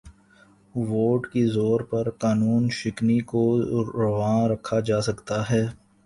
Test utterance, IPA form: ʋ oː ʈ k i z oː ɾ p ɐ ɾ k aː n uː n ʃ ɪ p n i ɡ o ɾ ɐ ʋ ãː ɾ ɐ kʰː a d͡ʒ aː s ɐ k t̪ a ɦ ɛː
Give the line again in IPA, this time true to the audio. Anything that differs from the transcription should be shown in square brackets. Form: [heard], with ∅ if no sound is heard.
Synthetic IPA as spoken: ʋ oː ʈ k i z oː ɾ p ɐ ɾ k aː n uː n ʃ ɪ [k] n i [k] o ɾ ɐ ʋ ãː ɾ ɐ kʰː a d͡ʒ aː s ɐ k t̪ a ɦ ɛː